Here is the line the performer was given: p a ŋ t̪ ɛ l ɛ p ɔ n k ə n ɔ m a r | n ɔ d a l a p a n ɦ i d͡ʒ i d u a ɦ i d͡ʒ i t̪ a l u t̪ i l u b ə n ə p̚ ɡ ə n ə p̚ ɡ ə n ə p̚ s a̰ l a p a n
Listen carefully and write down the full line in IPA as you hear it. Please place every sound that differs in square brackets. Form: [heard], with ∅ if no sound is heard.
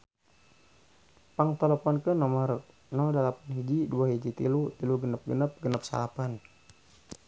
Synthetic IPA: p a ŋ t̪ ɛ l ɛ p ɔ n k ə n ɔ m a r | n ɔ d a l a p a n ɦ i d͡ʒ i d u a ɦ i d͡ʒ i t̪ [i] l u t̪ i l u [ɡ] ə n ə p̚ ɡ ə n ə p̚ ɡ ə n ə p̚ s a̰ l a p a n